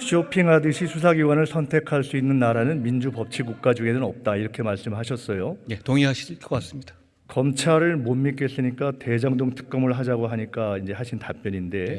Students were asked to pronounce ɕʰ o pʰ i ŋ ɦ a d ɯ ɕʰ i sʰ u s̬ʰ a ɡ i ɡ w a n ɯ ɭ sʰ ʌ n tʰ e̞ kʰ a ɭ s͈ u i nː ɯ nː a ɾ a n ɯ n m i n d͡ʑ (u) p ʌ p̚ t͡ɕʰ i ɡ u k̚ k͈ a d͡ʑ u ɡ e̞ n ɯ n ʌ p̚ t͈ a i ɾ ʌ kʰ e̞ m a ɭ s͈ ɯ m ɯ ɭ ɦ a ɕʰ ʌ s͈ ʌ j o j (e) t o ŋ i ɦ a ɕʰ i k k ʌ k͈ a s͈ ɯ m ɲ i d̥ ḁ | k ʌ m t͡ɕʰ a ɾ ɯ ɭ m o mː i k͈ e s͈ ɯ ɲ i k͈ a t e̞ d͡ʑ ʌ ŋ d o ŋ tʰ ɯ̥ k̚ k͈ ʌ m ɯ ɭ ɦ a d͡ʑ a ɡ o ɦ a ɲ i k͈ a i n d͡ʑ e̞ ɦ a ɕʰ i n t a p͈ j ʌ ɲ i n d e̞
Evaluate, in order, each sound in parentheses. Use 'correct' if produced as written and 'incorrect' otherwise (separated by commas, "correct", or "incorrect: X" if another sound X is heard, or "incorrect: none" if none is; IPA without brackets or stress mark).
correct, correct